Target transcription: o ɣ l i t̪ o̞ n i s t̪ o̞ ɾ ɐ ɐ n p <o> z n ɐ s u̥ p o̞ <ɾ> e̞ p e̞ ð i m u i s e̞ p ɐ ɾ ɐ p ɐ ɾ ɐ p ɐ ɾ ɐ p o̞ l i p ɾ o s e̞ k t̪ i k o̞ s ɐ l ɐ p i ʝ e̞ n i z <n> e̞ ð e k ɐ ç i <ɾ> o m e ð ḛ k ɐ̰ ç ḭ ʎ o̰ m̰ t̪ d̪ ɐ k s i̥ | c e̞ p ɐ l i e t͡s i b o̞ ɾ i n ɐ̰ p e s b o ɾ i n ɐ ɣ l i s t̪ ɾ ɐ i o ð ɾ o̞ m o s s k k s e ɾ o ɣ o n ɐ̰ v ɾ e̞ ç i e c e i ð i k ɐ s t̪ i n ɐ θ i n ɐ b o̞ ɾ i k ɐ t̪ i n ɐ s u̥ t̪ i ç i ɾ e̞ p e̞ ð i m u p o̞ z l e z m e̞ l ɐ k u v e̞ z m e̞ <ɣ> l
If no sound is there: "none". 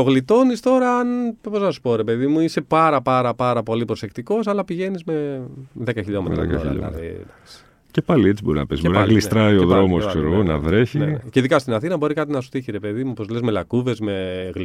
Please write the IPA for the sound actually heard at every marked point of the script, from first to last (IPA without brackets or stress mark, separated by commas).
o, ɾ, m, ʎ, ɣ